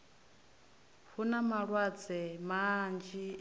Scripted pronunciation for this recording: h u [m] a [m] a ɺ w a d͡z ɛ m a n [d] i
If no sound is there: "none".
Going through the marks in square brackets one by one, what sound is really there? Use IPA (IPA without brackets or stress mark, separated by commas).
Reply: n, m, d͡ʒ